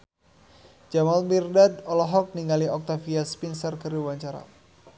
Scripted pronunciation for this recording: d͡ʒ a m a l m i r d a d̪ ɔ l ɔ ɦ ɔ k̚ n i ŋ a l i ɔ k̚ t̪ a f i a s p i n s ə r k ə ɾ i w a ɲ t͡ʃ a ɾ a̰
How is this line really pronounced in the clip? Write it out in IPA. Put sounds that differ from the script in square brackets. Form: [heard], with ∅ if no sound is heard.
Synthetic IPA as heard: d͡ʒ a m a l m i r d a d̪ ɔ l ɔ ɦ ɔ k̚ n i ŋ a l i ɔ k̚ t̪ a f i a s p i n s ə r k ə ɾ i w a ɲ t͡ʃ a ɾ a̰